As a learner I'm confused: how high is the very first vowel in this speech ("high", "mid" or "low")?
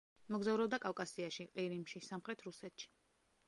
mid